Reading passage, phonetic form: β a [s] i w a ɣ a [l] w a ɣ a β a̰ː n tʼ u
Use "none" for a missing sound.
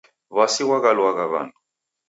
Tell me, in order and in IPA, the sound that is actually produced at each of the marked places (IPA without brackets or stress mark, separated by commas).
s, l